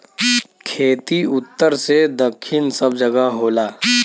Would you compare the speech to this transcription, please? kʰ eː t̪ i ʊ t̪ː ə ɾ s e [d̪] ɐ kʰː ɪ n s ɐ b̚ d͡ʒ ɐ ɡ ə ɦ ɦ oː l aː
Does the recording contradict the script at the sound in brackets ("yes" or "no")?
no